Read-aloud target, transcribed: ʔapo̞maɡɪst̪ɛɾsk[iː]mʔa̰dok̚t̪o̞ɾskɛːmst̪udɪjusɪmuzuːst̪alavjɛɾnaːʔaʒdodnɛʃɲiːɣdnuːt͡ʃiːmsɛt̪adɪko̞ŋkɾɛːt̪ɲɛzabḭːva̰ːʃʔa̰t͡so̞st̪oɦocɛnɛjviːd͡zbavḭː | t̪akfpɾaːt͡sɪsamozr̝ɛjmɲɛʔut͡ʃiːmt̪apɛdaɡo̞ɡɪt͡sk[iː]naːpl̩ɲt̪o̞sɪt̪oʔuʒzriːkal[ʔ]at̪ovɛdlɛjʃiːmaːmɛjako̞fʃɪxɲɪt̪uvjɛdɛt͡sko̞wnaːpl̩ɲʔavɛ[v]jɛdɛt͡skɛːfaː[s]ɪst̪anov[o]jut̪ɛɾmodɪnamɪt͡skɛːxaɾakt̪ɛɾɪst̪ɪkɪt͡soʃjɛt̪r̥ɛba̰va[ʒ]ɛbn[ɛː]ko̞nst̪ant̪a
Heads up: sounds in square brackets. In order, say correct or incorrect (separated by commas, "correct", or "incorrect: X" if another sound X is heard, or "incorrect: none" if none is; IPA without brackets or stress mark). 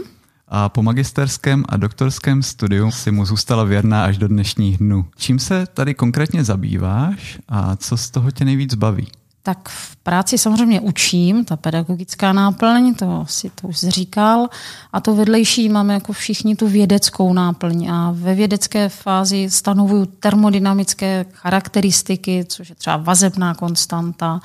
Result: incorrect: ɛː, incorrect: aː, correct, correct, incorrect: z, incorrect: u, incorrect: z, incorrect: aː